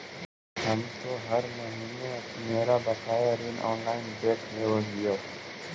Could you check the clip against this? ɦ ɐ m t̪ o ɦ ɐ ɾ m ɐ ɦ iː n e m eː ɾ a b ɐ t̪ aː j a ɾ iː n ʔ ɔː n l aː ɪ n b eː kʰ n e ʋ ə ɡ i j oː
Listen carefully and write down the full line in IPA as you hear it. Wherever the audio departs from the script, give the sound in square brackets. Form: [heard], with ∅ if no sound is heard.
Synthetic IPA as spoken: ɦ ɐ m t̪ o ɦ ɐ ɾ m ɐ ɦ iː n e m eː ɾ a b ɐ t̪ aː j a ɾ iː n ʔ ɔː n l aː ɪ n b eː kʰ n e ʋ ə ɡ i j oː